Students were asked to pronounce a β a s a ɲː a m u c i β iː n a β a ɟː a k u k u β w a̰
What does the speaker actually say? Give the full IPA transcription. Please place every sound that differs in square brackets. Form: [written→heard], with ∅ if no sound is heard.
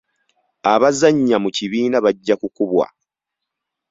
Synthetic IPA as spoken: a β a [s→z] a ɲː a m u c i β iː n a β a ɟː a k u k u β w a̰

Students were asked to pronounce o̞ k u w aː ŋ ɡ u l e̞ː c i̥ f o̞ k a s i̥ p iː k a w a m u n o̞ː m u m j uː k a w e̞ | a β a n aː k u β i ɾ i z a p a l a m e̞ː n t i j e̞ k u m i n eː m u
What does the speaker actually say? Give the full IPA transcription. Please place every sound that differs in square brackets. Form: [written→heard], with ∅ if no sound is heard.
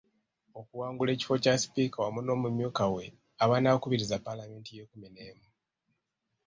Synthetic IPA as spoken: o̞ k u w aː ŋ ɡ u l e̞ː c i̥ f o̞ [k→c] a s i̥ p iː k a w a m u n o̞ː m u m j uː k a w e̞ | a β a n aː k u β i ɾ i z a p a l a m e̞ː n t i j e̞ k u m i n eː m u

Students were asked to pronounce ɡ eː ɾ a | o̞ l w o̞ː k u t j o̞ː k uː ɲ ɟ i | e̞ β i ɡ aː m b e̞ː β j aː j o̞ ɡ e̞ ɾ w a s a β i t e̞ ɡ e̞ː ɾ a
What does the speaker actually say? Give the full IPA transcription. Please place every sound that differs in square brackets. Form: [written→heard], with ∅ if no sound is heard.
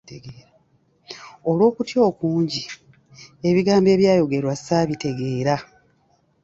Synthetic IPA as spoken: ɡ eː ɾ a | o̞ l w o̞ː k u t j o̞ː k uː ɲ ɟ i | e̞ β i ɡ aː m b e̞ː β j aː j o̞ ɡ e̞ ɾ w a s a β i t e̞ ɡ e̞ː ɾ a

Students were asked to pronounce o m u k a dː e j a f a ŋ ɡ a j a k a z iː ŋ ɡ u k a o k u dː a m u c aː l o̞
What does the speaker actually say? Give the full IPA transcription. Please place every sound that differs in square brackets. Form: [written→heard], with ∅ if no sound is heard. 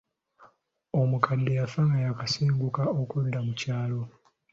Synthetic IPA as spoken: o m u k a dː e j a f a ŋ ɡ a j a k a [z→s] iː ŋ ɡ u k a o k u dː a m u c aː l o̞

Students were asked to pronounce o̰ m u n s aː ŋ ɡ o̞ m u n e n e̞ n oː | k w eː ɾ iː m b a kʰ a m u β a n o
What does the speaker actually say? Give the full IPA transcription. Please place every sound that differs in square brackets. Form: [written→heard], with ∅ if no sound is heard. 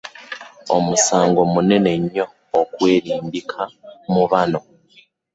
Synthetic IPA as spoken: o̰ m u [n→∅] s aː ŋ ɡ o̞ m u n e n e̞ [n→ɲ] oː | k w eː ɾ iː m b [a→i] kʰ a m u β a n o

